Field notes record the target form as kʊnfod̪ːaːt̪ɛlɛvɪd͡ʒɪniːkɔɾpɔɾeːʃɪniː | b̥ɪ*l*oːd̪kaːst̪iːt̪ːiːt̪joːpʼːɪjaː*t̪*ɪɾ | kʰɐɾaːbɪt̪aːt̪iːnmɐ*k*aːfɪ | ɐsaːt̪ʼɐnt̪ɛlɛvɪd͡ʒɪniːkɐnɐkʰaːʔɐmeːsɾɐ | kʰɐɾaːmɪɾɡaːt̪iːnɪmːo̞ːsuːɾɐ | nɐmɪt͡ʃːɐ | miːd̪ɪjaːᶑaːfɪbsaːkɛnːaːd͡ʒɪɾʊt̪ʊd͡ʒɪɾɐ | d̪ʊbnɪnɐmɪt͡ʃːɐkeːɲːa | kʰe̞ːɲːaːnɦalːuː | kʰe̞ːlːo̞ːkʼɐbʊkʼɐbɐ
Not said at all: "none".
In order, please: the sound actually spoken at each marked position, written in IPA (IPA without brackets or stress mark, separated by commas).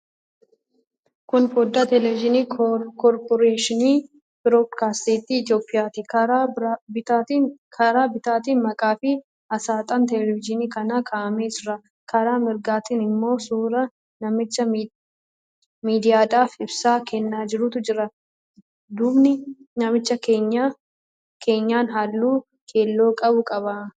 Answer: ɾ, t̪, kʼ